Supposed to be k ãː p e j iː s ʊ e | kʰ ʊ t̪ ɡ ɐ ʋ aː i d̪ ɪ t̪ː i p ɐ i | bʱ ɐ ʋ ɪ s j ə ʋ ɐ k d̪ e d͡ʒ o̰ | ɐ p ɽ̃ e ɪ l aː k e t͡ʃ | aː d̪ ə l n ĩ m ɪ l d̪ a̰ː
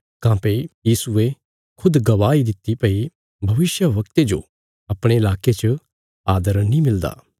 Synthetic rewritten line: k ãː p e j iː s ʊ e | kʰ ʊ d̪ ɡ ɐ ʋ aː i d̪ ɪ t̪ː i p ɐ i | bʱ ɐ ʋ ɪ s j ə ʋ ɐ k t̪ e d͡ʒ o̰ | ɐ p ɽ̃ e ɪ l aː k e t͡ʃ | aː d̪ ə ɾ n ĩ m ɪ l d̪ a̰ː